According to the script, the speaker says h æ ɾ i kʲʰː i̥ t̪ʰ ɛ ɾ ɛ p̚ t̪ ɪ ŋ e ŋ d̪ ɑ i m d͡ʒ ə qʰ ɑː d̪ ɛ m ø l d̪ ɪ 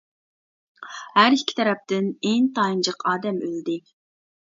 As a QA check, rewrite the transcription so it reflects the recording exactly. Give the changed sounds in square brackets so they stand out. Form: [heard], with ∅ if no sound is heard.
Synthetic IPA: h æ ɾ i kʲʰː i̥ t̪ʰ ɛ ɾ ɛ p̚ t̪ ɪ [n] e ŋ [t̪] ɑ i [n] d͡ʒ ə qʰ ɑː d̪ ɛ m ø l d̪ ɪ